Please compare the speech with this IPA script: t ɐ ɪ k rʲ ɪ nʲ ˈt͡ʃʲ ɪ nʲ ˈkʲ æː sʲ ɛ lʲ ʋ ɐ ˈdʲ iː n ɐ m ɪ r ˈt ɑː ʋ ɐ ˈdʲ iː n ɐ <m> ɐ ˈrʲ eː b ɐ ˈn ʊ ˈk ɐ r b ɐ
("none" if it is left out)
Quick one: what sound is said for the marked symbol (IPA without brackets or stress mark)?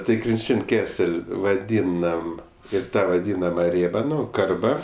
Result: m